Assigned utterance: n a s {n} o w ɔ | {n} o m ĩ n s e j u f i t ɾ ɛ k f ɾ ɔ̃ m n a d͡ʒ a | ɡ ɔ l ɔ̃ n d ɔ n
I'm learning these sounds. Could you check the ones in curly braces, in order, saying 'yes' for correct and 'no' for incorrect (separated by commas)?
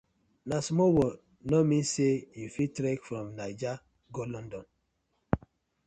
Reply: no, yes